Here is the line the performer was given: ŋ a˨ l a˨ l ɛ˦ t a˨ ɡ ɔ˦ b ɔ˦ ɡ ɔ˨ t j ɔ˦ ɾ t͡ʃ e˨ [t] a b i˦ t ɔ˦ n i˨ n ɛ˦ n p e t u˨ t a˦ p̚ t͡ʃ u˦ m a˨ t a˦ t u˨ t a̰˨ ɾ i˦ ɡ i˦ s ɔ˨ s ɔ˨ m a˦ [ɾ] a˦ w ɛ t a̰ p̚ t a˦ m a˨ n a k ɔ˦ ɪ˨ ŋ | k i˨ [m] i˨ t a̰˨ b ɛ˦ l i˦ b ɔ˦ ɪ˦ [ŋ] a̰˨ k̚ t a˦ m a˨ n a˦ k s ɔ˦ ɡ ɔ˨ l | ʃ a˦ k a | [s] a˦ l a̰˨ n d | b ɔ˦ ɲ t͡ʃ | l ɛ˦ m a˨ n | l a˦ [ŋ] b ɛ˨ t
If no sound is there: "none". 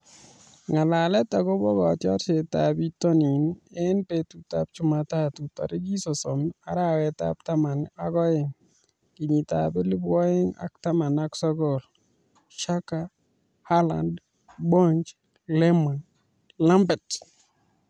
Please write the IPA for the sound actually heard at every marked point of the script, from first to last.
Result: t, ɾ, ɲ, ŋ, h, m

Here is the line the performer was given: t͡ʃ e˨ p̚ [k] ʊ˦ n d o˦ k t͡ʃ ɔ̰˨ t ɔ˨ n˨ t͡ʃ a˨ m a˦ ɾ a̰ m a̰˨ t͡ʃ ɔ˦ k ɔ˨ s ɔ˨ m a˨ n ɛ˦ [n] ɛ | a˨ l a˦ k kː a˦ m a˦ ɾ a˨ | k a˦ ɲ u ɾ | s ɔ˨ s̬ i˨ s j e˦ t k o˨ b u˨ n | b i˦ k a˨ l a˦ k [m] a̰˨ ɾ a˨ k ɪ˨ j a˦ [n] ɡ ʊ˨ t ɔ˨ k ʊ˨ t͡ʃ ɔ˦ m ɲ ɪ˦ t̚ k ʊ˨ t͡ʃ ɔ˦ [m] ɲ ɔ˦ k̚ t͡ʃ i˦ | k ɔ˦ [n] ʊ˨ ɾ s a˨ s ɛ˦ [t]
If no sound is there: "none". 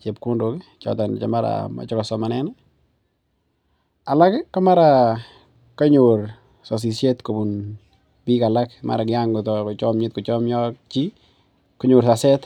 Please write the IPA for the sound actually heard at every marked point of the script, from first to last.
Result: k, n, m, ŋ, m, ɲ, t

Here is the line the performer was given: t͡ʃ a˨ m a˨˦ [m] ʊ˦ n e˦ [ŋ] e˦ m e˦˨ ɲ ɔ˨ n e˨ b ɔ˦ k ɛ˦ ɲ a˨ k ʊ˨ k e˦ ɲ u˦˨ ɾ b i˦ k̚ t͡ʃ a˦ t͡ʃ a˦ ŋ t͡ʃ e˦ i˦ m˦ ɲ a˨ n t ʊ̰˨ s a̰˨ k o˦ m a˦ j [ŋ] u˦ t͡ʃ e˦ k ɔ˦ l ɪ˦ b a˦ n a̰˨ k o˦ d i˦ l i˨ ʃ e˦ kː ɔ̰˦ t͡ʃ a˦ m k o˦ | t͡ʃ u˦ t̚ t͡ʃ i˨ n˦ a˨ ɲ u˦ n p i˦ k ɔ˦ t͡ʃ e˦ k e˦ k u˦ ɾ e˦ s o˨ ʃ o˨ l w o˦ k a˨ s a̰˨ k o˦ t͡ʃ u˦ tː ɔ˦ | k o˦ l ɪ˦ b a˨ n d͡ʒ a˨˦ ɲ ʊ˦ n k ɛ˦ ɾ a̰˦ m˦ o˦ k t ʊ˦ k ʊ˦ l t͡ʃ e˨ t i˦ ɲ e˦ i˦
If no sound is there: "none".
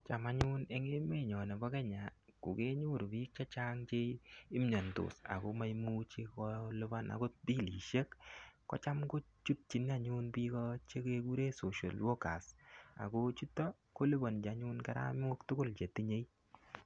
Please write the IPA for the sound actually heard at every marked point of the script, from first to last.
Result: ɲ, ŋ, m

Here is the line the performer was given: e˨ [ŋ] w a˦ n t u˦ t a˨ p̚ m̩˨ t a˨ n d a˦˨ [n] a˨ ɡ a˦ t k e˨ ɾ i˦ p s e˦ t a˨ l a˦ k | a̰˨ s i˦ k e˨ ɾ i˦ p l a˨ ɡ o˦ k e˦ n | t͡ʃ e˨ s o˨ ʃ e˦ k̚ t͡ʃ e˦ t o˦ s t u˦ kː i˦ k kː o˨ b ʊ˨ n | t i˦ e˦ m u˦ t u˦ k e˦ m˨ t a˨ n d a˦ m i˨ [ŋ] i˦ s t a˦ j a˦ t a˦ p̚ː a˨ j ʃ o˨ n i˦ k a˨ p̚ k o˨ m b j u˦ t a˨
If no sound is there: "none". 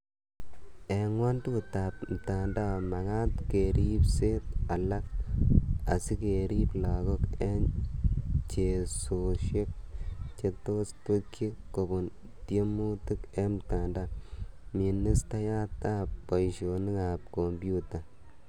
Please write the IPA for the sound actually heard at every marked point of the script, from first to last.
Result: ŋ, m, n

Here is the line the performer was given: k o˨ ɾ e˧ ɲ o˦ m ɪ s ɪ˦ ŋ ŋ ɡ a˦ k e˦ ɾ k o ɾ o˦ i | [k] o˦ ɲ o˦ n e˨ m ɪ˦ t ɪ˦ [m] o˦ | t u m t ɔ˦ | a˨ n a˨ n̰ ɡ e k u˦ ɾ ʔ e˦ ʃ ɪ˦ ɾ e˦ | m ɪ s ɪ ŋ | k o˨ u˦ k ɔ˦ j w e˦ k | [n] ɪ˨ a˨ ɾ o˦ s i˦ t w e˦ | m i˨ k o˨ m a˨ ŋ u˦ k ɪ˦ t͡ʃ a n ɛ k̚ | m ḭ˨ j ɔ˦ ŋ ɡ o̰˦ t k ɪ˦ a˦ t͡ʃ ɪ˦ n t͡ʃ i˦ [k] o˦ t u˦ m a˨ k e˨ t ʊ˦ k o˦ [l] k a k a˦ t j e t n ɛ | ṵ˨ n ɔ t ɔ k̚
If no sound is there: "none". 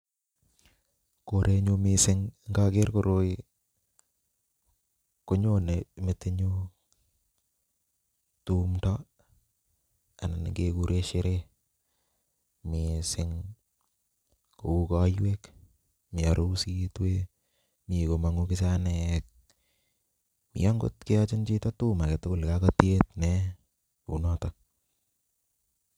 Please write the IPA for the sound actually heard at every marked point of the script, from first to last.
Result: k, ɲ, m, t, l

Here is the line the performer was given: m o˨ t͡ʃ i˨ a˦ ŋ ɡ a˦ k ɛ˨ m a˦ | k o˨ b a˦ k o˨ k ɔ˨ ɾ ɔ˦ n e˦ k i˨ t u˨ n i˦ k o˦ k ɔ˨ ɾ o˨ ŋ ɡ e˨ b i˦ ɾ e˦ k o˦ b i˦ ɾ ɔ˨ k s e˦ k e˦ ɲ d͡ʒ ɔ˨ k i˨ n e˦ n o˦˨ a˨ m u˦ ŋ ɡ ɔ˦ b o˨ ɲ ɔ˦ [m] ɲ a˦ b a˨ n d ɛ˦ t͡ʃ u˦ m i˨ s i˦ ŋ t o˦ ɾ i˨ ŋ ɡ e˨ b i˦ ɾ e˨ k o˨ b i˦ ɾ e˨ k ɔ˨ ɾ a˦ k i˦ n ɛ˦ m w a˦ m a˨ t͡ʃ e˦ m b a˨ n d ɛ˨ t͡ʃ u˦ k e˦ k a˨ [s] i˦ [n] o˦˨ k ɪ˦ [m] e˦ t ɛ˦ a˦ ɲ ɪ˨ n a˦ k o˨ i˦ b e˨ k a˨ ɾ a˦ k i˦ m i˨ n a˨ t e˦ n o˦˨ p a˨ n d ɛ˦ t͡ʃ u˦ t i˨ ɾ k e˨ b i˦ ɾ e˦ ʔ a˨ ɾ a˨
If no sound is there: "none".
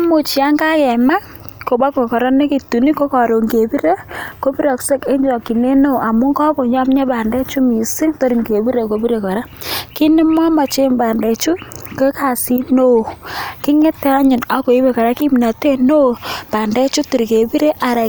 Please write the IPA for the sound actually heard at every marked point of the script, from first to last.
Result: m, s, n, ŋ

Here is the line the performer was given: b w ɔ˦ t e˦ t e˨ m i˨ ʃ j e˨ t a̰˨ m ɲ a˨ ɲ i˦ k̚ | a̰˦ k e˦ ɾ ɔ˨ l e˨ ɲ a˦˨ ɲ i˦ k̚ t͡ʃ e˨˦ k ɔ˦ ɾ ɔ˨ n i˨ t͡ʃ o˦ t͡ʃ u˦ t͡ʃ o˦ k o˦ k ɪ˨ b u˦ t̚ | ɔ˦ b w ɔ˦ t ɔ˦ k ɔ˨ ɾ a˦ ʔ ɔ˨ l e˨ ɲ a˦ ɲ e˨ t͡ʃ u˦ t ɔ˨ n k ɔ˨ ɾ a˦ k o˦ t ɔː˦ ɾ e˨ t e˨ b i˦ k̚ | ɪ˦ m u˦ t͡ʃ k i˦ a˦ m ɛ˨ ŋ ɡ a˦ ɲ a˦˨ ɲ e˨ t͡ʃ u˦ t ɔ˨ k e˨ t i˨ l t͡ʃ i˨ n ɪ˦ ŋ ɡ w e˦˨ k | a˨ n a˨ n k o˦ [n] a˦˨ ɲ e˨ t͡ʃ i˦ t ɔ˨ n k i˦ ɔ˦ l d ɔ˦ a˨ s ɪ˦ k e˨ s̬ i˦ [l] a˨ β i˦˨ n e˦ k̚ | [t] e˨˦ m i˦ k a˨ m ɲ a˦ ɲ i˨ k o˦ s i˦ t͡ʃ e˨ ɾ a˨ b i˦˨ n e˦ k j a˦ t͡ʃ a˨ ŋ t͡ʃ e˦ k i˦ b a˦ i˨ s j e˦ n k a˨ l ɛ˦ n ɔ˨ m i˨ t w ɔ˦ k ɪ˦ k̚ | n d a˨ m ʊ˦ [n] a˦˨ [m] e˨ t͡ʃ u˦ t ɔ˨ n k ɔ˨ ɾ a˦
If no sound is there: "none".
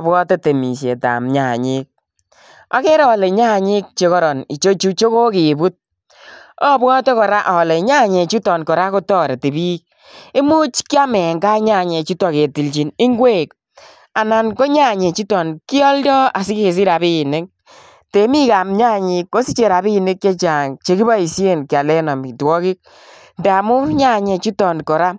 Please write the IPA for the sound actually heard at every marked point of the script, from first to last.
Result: ɲ, ɾ, t, ɲ, ɲ

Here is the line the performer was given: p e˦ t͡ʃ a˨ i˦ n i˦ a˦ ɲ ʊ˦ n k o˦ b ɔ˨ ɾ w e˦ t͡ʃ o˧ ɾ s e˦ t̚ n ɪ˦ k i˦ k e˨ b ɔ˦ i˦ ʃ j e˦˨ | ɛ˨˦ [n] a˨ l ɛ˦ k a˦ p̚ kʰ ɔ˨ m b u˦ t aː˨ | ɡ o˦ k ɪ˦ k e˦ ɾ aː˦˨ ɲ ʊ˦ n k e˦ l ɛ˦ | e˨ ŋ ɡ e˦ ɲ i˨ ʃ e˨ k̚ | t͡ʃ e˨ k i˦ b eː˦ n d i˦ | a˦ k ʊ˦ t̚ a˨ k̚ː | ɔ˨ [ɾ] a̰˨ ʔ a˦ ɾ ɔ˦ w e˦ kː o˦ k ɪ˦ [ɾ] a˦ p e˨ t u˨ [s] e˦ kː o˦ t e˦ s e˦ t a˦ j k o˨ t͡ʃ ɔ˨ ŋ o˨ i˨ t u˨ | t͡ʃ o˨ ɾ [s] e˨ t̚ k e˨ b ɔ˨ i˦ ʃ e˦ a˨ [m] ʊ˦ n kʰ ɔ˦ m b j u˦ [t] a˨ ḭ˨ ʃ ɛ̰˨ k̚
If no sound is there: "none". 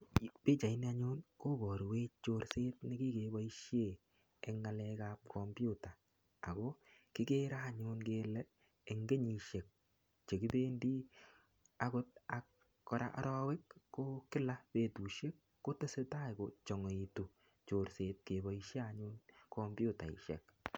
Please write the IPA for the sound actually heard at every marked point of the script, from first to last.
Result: ŋ, ɾ, l, ʃ, s, ɲ, t

